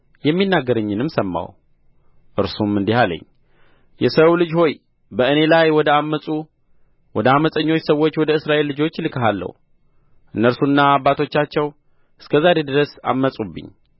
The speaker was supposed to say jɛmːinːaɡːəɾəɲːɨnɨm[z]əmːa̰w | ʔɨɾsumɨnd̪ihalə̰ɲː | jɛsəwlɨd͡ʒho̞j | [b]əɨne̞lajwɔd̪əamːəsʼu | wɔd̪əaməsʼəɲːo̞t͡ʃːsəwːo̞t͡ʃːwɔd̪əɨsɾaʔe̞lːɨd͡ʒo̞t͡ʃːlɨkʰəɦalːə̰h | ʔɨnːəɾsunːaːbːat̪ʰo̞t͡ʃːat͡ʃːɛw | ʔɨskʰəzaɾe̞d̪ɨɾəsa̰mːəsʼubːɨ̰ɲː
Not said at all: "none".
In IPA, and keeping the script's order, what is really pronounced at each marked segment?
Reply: s, b

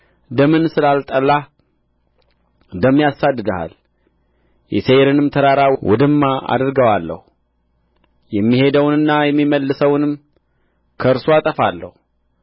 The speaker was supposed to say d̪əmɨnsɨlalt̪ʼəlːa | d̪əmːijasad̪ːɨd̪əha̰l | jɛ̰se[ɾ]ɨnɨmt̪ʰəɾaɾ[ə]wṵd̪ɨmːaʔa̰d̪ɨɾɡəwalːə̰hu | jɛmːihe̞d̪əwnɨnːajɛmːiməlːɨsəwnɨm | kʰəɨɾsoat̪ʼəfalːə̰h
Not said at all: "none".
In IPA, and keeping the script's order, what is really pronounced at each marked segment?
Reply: ɾ, a

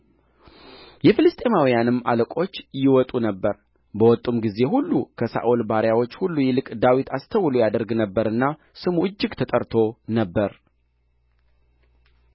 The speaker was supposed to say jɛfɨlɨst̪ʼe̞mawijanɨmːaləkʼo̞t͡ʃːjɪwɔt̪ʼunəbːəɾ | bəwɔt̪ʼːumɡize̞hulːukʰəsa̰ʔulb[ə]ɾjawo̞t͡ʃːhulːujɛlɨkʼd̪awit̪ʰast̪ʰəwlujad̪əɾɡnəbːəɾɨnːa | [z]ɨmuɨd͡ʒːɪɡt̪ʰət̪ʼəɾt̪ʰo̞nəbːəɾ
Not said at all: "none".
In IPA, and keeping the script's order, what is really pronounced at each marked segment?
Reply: a, s

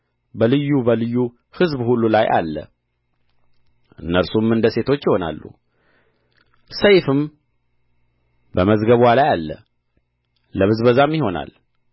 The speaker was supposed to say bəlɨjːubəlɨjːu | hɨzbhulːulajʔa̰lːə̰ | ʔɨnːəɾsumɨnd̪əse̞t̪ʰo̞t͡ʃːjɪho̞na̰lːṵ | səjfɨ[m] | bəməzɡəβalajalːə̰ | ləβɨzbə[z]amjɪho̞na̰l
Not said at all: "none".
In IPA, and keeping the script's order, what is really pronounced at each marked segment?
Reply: m, z

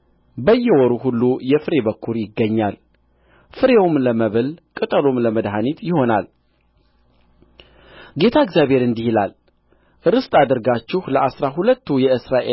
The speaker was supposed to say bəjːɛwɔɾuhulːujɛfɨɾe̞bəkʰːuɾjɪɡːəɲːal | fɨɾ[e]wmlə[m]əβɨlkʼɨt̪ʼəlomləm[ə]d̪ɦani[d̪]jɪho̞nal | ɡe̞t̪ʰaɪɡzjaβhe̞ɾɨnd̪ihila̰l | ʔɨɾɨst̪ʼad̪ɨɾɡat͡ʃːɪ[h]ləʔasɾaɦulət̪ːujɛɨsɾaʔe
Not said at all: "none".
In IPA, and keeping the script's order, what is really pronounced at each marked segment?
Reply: e, m, ə, t̪, h

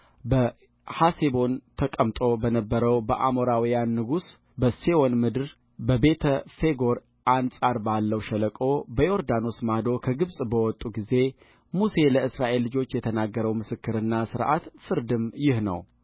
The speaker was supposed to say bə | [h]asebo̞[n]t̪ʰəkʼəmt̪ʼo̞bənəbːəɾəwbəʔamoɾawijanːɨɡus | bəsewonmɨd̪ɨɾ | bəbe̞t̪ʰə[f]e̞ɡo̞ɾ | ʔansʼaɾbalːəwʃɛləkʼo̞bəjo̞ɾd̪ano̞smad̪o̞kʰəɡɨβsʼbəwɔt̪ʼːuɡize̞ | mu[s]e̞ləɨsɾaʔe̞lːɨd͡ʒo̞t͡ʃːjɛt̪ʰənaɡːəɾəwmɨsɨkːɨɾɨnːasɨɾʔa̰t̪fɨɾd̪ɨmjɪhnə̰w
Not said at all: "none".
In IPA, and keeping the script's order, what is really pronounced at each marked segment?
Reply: h, n, f, s

